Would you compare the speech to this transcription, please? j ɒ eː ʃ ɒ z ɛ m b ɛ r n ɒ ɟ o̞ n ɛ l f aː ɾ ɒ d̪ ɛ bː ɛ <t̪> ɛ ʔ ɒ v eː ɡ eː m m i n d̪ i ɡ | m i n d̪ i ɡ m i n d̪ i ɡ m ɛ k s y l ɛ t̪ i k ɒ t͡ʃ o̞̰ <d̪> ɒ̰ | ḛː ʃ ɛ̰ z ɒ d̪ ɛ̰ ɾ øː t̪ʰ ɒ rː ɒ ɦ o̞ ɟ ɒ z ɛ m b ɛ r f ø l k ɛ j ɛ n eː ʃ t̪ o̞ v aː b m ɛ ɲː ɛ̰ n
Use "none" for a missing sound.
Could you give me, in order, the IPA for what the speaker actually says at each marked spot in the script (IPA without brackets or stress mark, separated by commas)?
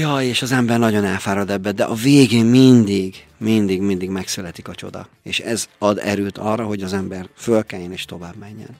d̪, d̪